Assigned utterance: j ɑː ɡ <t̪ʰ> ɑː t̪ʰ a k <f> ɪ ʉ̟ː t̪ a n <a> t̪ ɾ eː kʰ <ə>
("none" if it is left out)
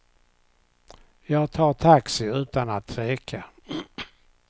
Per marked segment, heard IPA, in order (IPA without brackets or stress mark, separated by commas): t̪ʰ, s, a, a